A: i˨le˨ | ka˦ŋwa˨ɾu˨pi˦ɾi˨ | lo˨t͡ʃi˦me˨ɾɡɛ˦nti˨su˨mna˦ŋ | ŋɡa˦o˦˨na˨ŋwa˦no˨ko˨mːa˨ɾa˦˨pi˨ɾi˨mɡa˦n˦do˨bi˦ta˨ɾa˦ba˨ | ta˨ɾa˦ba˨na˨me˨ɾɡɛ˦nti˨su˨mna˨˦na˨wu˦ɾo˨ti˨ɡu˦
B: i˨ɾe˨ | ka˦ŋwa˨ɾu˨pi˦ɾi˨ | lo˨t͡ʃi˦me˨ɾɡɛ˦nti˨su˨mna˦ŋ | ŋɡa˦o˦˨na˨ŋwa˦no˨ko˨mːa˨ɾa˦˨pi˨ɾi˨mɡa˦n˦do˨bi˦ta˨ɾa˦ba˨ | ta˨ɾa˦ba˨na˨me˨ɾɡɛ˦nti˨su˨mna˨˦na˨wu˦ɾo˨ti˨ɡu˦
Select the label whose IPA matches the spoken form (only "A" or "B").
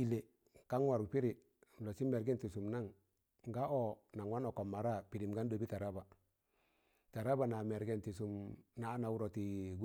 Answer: A